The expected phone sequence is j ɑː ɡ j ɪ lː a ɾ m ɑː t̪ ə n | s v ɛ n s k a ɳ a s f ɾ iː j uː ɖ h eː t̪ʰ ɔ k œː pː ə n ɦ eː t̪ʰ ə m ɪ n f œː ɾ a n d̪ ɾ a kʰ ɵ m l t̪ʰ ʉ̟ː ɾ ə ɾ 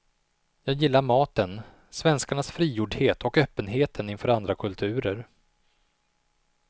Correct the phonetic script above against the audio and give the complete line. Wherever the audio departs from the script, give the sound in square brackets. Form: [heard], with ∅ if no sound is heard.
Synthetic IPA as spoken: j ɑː ɡ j ɪ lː a ɾ m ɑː t̪ ə n | s v ɛ n s k a ɳ a s f ɾ iː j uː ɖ h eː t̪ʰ ɔ k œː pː ə n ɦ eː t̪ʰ ə [n] ɪ n f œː ɾ a n d̪ ɾ a kʰ ɵ [∅] l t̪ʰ ʉ̟ː ɾ ə ɾ